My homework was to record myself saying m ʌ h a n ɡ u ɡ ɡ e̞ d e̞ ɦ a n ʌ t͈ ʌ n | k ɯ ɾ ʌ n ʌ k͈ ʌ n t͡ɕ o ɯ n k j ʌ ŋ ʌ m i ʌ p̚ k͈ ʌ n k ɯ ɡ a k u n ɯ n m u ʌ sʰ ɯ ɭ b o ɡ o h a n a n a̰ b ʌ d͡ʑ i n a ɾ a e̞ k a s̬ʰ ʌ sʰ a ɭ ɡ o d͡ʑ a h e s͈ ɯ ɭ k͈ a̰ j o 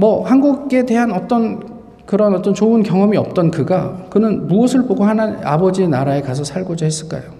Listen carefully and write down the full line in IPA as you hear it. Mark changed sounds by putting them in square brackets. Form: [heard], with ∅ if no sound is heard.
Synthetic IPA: m ʌ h a n ɡ u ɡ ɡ e̞ d e̞ ɦ a n ʌ t͈ ʌ n | k ɯ ɾ ʌ n ʌ [t͈] ʌ n t͡ɕ o ɯ n k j ʌ ŋ ʌ m i ʌ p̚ [t͈] ʌ n k ɯ ɡ a k [ɯ] n ɯ n m u ʌ sʰ ɯ ɭ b o ɡ o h a n a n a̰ b ʌ d͡ʑ i n a ɾ a e̞ k a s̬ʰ ʌ sʰ a ɭ ɡ o d͡ʑ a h e s͈ ɯ ɭ k͈ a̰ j o